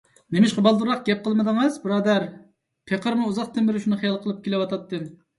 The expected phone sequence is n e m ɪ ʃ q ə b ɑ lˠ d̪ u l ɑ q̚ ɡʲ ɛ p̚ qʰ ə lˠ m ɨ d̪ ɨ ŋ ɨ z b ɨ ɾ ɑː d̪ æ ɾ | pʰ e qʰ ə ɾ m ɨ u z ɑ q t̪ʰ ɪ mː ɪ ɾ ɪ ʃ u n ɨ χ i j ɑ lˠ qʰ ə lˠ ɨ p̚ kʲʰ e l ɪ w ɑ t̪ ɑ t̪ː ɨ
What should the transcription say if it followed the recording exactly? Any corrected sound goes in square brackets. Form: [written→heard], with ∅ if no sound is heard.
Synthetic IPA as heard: n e m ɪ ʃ q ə b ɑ lˠ d̪ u [l→ɾ] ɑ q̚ ɡʲ ɛ p̚ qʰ ə lˠ m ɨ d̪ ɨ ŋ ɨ z b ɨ ɾ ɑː d̪ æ ɾ | pʰ e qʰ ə ɾ m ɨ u z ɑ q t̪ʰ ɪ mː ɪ ɾ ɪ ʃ u n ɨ χ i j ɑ lˠ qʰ ə lˠ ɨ p̚ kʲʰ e l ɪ w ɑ t̪ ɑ t̪ː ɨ